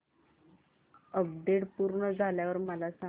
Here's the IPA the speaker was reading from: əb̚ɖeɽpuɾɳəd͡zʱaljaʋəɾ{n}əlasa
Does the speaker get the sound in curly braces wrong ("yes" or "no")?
yes